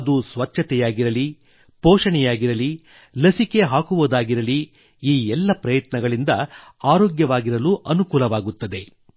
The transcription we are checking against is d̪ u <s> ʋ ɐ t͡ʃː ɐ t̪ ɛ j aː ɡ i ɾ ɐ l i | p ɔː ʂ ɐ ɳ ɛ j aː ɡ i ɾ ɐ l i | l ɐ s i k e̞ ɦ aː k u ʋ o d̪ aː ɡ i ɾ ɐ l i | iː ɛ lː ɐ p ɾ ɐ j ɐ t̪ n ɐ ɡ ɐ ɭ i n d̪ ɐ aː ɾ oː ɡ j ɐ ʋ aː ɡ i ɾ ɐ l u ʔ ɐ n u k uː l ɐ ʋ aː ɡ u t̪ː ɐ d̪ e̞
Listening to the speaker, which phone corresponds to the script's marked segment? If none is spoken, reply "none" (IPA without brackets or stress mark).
s